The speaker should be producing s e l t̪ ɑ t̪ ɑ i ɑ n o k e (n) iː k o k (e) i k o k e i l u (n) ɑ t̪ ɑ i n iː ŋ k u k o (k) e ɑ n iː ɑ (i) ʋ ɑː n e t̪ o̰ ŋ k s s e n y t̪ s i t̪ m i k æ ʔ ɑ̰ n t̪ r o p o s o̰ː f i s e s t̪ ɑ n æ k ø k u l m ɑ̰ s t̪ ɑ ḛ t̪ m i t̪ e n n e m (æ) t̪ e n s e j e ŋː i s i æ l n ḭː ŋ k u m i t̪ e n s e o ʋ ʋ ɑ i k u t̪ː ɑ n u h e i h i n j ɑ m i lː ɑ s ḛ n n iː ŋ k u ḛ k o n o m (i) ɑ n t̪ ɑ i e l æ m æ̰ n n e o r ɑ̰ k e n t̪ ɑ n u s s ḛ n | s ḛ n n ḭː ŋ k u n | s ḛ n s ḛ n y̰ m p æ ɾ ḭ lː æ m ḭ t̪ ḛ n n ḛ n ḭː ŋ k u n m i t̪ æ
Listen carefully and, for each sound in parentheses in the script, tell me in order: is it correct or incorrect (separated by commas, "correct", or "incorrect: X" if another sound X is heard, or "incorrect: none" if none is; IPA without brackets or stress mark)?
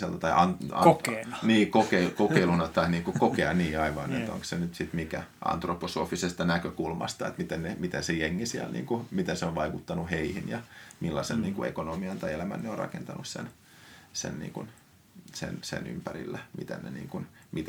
correct, correct, correct, correct, correct, incorrect: i, correct